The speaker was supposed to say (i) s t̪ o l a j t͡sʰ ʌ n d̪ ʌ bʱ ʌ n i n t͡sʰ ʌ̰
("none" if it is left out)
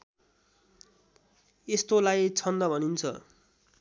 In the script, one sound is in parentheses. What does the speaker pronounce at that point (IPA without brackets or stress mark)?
e